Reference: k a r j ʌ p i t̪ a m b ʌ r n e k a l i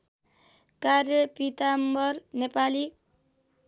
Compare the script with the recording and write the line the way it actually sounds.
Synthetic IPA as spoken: k a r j ʌ p i t̪ a m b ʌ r n e p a l i